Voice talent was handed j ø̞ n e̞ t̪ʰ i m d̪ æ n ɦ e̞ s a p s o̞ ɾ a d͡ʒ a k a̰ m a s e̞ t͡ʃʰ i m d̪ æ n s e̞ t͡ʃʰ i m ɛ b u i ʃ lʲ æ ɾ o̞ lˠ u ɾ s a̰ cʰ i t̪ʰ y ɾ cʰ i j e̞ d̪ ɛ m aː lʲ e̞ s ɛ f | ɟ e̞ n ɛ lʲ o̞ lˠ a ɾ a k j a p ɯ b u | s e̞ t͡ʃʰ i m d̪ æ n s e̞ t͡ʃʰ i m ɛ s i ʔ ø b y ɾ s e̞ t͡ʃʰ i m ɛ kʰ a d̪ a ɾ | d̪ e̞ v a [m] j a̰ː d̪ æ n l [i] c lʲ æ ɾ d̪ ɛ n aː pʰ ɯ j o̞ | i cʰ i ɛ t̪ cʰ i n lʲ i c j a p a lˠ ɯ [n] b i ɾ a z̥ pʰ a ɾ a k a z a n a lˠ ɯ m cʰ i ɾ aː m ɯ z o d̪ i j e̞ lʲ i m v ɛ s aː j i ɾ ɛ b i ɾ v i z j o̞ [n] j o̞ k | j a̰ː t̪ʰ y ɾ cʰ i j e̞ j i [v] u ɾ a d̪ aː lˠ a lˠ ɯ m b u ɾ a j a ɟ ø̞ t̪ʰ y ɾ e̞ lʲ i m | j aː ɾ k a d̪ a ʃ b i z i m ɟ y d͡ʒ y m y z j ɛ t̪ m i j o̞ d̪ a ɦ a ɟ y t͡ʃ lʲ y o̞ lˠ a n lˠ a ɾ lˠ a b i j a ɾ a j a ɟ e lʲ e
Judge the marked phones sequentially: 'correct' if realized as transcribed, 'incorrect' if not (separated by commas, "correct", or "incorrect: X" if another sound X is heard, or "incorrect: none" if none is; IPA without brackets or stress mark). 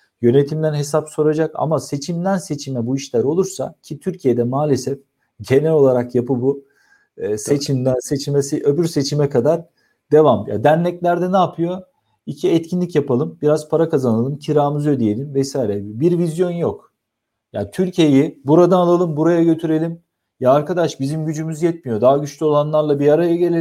correct, incorrect: ɛ, incorrect: m, correct, incorrect: b